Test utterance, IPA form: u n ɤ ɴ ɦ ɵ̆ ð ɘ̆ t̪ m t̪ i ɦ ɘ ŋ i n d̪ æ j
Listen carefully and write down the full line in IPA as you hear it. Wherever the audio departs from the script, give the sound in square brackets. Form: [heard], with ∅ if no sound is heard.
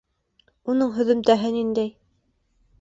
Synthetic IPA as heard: u n ɤ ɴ ɦ ɵ̆ ð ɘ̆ [∅] m t̪ [æ] ɦ ɘ [n] i n d̪ æ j